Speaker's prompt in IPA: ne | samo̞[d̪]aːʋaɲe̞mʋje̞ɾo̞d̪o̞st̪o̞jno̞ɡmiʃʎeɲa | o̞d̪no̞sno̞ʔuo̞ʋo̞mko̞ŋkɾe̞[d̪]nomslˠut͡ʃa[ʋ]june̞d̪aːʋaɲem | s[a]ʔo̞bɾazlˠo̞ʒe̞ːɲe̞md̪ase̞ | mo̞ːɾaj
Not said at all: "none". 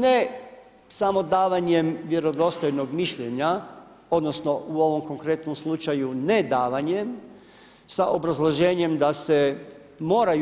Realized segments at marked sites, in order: d̪, t̪, none, a

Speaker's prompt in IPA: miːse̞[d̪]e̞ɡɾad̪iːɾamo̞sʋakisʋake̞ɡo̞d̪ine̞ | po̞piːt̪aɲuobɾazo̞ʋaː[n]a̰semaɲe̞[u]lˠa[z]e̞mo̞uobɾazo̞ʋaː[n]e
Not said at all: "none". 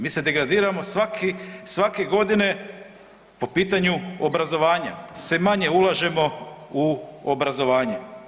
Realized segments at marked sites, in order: d̪, ɲ, u, ʒ, ɲ

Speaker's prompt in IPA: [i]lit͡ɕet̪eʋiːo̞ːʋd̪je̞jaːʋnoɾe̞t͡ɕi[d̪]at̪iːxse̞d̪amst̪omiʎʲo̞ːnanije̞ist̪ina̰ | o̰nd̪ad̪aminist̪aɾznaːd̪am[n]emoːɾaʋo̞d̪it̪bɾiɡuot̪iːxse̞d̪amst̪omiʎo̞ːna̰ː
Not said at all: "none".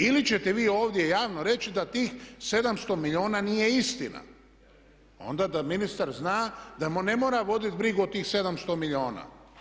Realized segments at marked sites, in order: i, d̪, n

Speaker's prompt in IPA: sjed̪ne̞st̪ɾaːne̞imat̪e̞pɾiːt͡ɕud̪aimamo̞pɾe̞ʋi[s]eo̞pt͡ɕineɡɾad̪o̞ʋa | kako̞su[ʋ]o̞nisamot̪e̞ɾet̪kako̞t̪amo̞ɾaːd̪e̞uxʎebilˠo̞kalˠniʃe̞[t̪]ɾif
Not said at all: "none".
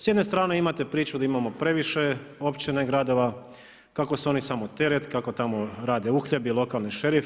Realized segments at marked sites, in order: ʃ, none, none

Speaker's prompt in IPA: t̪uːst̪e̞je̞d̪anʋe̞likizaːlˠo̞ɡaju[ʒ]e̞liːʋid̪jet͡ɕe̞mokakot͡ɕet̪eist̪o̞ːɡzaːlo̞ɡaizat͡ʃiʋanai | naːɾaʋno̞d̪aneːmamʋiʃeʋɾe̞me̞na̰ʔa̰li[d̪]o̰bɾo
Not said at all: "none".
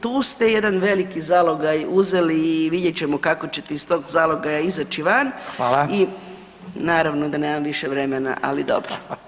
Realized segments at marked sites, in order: z, d̪

